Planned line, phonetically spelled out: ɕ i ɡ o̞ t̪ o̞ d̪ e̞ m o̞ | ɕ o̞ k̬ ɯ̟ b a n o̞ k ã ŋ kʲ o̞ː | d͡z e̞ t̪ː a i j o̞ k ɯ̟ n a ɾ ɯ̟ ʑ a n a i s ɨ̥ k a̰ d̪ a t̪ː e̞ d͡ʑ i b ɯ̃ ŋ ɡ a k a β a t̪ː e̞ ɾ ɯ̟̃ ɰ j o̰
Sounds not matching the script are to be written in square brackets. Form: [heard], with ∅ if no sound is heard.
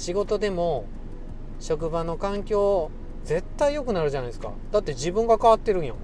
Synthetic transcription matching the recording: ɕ i ɡ o̞ t̪ o̞ d̪ e̞ m o̞ | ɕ o̞ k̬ ɯ̟ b a n o̞ k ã ŋ kʲ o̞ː | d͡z e̞ t̪ː a i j o̞ k ɯ̟ n a ɾ ɯ̟ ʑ a n a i s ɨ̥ k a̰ d̪ a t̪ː e̞ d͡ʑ i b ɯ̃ ŋ ɡ a k a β a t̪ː e̞ ɾ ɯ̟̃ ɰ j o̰